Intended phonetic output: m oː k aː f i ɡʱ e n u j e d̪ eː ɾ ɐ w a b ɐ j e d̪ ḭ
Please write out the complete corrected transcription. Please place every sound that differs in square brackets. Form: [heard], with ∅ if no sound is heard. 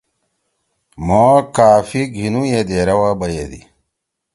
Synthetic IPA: m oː k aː f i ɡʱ [i] n u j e d̪ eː ɾ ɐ w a b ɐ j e d̪ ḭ